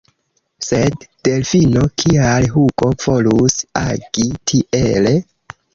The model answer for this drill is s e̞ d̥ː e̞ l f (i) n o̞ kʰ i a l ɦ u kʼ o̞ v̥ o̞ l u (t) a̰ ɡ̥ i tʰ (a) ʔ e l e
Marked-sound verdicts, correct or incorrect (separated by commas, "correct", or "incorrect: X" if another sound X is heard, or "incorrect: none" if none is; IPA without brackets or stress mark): correct, incorrect: s, incorrect: i